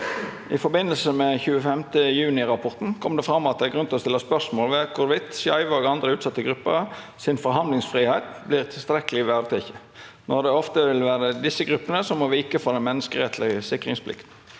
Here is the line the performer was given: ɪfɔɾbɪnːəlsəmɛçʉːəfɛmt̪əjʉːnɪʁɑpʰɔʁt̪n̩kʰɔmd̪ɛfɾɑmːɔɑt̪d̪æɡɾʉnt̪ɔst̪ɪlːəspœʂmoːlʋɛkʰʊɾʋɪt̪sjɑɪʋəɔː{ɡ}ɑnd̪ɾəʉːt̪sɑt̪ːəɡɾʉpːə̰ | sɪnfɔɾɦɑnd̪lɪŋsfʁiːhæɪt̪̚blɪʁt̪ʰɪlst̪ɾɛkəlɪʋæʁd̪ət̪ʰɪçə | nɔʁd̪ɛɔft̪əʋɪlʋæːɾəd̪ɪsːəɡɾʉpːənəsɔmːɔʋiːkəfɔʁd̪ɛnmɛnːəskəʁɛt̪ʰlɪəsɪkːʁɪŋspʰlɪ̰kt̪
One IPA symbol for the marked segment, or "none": ɡ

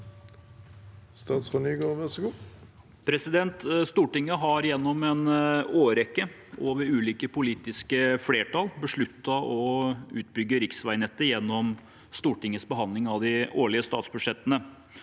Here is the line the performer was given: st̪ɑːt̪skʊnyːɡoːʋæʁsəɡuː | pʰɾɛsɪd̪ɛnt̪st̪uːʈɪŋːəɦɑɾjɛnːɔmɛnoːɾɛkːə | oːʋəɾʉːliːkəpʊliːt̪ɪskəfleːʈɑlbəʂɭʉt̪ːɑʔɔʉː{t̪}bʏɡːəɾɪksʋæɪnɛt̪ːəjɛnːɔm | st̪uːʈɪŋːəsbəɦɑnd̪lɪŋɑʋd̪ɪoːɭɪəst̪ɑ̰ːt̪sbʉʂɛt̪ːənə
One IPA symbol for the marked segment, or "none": t̪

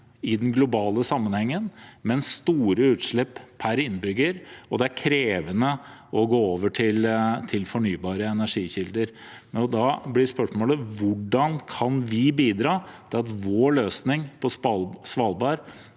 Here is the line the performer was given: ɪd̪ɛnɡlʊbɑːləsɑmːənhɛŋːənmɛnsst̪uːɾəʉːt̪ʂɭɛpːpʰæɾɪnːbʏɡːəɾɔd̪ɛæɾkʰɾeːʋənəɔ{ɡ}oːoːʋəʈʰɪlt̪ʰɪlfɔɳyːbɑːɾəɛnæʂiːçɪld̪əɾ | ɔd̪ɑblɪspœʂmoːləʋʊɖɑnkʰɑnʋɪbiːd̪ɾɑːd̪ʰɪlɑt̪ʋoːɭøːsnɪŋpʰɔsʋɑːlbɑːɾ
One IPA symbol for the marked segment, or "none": ɡ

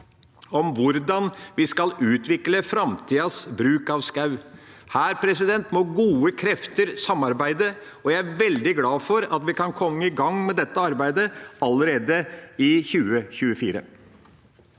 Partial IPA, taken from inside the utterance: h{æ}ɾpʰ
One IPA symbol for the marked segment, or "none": æː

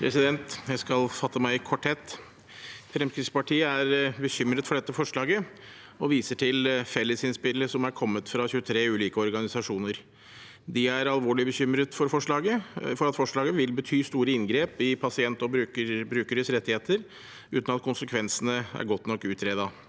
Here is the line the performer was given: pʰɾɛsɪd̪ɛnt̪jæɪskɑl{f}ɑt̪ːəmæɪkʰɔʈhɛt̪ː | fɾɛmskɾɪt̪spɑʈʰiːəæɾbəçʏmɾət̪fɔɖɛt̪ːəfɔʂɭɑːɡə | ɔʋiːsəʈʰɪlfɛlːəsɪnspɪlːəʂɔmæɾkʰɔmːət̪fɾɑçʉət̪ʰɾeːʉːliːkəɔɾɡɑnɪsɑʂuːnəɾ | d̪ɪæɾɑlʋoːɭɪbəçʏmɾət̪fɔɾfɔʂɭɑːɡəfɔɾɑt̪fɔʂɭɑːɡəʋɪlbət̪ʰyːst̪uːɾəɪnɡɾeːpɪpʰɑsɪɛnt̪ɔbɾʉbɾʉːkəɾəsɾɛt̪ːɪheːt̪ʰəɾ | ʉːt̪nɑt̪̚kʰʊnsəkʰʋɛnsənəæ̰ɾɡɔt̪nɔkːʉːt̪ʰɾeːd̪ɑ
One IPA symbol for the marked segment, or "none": f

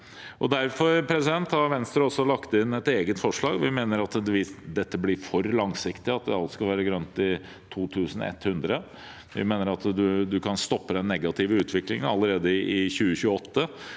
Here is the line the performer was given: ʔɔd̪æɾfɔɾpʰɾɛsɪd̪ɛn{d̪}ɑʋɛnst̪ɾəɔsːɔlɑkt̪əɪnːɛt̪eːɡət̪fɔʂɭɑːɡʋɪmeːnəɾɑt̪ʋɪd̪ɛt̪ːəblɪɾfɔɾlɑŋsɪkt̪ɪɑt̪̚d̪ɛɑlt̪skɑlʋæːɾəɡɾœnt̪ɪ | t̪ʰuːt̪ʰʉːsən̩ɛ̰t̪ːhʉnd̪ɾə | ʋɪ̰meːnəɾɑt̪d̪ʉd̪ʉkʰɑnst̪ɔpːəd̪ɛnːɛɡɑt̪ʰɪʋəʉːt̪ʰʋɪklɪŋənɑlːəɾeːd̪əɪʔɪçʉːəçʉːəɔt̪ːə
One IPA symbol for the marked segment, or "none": t̪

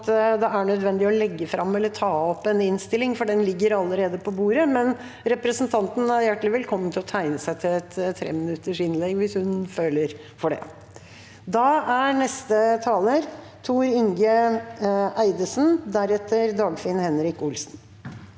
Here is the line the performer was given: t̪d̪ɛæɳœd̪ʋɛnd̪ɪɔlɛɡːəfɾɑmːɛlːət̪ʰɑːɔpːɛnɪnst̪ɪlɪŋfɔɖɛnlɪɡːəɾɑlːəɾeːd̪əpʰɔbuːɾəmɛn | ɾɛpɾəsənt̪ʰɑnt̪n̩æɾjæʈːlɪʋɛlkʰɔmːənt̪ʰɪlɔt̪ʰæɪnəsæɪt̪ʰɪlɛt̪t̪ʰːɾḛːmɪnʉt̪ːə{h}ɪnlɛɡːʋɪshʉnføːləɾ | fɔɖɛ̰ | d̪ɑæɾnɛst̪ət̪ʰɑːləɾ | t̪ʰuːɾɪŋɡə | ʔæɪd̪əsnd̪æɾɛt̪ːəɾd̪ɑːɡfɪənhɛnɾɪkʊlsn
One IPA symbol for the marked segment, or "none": ʂ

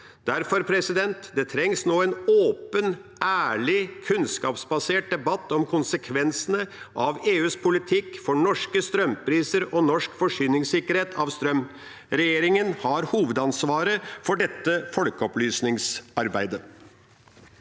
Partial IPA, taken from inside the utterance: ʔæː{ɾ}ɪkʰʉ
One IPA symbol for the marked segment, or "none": ɭ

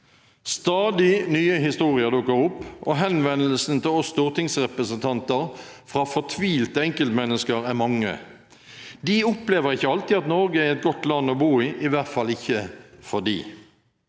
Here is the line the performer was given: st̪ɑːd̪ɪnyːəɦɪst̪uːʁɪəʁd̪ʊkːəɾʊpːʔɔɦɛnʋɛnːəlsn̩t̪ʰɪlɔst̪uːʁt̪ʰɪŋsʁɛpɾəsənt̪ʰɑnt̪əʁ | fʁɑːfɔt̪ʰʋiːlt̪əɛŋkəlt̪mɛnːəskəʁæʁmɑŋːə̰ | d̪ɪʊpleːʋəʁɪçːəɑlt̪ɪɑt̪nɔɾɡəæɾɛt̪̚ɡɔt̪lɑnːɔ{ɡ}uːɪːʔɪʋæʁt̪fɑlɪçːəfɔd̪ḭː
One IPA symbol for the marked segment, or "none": b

